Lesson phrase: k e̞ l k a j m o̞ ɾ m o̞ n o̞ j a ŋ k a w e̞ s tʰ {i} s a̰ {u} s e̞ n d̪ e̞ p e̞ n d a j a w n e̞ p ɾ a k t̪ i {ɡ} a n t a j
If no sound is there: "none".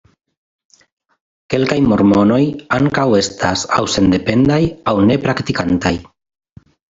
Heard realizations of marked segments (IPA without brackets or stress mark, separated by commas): a, w, k